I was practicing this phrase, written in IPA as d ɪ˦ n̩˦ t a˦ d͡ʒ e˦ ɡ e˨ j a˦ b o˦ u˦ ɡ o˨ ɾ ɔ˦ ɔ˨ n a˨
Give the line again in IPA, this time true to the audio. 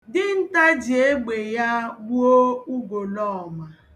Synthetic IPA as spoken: d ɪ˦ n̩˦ t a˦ d͡ʒ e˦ ɡ͡b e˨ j a˦ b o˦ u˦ ɡ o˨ l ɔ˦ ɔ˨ m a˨